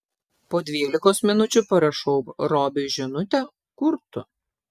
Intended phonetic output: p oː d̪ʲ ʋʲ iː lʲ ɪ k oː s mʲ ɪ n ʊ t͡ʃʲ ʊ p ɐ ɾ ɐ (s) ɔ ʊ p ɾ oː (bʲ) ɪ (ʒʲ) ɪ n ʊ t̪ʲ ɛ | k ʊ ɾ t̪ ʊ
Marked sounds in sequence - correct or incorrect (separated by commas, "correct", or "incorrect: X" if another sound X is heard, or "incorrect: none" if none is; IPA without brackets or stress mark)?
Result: incorrect: ʃ, correct, correct